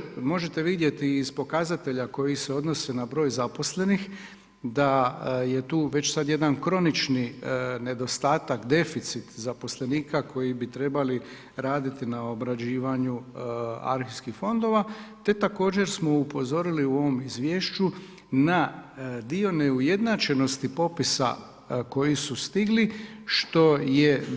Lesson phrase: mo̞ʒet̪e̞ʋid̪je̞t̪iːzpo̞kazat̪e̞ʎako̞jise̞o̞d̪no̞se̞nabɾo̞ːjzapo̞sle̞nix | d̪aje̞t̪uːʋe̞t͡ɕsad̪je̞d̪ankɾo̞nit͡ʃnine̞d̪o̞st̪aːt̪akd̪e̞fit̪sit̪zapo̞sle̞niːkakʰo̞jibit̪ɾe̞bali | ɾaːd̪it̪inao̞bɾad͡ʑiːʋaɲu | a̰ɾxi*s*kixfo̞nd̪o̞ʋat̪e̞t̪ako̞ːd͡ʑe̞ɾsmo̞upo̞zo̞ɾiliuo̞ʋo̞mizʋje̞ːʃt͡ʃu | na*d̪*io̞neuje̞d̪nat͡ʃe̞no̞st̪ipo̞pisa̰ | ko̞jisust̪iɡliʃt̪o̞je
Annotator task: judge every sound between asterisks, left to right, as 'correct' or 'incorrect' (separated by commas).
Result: correct, correct